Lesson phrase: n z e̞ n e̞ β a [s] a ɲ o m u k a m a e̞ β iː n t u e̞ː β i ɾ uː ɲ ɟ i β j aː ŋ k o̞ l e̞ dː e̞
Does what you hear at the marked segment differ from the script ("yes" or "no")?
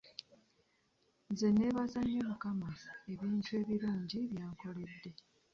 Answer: yes